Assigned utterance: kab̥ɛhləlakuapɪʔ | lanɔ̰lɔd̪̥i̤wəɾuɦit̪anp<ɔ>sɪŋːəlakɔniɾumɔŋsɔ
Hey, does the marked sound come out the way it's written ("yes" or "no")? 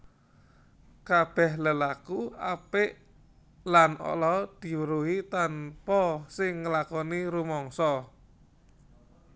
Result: yes